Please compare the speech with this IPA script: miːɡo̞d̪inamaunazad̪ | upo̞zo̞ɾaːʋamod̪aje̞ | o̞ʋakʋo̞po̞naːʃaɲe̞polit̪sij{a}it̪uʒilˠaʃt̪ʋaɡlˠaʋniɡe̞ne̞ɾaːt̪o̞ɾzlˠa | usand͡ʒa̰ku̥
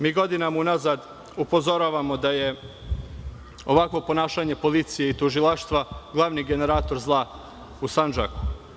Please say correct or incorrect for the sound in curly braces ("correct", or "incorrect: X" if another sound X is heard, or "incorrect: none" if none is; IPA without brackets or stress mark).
incorrect: e